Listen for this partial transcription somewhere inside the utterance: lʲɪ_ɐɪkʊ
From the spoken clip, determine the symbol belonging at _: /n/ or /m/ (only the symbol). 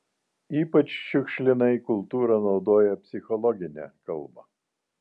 n